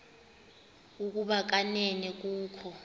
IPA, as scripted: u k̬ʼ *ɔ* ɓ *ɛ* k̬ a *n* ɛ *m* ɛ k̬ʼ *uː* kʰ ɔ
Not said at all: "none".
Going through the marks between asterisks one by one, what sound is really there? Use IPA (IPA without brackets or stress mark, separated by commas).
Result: u, a, n, n, uː